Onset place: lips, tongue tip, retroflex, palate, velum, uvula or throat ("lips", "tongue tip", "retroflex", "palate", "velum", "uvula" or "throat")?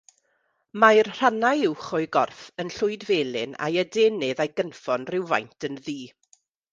lips